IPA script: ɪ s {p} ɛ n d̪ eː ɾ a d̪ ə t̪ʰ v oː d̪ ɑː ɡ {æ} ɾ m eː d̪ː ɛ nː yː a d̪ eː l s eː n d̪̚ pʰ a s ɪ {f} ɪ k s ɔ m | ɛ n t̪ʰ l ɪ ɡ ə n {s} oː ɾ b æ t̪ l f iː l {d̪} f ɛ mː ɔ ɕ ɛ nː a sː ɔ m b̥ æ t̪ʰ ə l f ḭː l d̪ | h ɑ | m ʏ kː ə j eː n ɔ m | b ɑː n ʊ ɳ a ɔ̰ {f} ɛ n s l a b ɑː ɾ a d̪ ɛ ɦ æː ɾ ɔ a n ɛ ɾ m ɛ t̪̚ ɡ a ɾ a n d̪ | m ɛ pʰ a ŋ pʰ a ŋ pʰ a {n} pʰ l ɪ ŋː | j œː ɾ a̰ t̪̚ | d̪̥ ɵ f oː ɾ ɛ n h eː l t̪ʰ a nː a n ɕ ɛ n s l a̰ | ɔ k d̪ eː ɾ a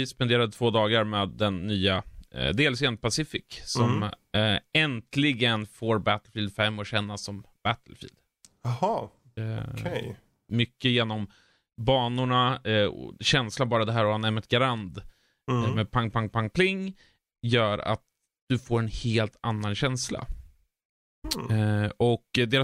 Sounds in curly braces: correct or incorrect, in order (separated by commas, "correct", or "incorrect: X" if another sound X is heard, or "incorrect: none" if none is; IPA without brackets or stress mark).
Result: correct, incorrect: a, correct, incorrect: f, correct, incorrect: ɕ, incorrect: ŋ